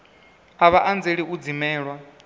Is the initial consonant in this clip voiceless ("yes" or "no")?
no